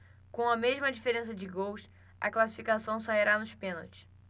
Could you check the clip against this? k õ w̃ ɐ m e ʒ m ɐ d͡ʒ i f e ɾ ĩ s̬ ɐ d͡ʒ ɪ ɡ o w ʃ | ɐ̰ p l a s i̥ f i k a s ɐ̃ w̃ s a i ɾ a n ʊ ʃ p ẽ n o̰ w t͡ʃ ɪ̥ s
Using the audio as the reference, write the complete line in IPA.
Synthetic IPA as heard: k õ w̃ ɐ m e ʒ m ɐ d͡ʒ i f e ɾ ẽ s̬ ɐ d͡ʒ ɪ ɡ o w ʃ | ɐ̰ k l a s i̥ f i k a s ɐ̃ w̃ s a i ɾ a n ʊ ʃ p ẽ n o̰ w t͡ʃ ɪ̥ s